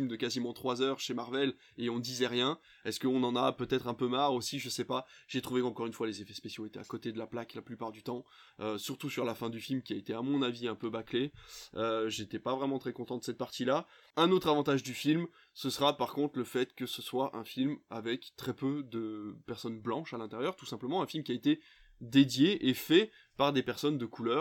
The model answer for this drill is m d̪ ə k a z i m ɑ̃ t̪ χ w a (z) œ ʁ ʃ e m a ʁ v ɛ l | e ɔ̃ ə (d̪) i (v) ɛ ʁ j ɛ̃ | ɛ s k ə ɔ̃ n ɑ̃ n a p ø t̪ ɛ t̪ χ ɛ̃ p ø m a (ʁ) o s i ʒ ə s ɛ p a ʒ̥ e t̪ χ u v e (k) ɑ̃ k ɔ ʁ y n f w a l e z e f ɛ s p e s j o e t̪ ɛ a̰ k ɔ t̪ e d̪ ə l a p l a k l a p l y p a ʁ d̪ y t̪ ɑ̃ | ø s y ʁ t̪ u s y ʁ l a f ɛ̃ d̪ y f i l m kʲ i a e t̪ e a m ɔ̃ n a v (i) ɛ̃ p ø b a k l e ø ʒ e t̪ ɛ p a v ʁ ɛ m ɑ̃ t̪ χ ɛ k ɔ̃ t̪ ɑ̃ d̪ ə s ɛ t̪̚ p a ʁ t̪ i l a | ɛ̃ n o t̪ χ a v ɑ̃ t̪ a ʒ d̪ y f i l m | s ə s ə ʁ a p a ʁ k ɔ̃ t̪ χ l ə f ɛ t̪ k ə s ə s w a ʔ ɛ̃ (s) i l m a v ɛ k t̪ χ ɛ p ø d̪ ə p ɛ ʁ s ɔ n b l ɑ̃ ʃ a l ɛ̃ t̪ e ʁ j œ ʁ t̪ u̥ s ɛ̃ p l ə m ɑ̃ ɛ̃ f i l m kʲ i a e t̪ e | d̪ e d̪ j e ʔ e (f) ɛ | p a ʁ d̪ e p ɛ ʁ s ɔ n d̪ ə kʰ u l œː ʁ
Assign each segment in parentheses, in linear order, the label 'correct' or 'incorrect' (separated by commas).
correct, correct, incorrect, correct, correct, correct, incorrect, correct